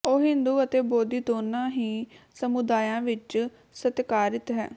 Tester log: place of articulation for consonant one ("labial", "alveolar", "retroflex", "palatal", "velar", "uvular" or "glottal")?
glottal